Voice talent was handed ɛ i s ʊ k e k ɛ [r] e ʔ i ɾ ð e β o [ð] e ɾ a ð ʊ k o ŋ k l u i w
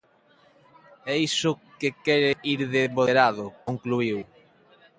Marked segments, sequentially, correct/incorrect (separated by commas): incorrect, correct